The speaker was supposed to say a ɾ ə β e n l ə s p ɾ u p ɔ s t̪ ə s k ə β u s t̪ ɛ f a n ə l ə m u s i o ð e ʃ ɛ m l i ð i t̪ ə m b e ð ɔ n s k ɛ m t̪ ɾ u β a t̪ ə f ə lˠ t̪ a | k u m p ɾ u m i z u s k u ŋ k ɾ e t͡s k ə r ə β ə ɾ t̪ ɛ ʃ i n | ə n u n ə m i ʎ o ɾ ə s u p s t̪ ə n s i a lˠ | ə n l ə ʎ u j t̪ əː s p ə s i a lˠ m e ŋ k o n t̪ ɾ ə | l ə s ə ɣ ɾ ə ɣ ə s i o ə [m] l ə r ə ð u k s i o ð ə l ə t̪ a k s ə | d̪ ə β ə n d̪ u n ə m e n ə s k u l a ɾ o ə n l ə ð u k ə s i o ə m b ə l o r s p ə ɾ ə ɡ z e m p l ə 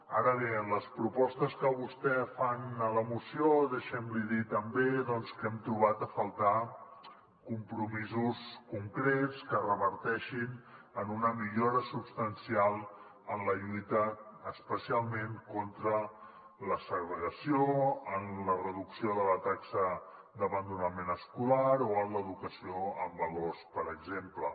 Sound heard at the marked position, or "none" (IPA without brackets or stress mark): n